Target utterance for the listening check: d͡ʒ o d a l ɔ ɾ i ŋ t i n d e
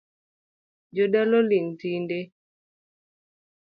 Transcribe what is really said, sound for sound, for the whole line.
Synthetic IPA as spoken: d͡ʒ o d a l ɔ l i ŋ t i n d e